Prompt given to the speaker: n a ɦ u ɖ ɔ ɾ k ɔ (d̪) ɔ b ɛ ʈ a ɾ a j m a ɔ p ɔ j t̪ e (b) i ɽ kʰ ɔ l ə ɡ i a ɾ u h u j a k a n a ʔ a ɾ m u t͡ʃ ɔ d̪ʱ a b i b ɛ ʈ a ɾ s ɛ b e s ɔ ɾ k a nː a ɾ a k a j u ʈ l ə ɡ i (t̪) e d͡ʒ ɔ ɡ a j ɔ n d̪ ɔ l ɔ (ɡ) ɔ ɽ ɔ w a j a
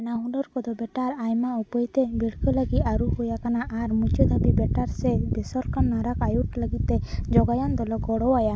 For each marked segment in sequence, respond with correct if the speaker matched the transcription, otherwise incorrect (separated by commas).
correct, correct, correct, correct